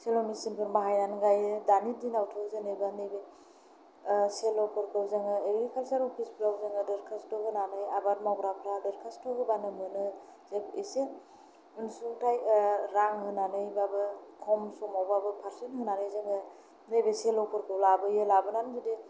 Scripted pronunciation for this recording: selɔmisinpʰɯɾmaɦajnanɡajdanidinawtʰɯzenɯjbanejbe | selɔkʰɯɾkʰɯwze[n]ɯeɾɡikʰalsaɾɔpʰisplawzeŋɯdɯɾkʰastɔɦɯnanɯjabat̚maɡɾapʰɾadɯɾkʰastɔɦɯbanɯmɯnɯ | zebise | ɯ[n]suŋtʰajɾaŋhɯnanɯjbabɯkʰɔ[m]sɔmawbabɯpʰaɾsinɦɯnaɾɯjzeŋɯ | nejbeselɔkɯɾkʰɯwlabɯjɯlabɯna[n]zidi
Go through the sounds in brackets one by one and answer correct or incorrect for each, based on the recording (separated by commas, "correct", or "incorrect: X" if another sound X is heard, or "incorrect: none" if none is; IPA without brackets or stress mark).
incorrect: ŋ, correct, correct, correct